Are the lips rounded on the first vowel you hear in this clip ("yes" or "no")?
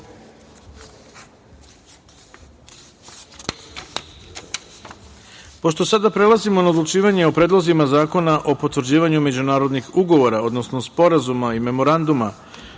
yes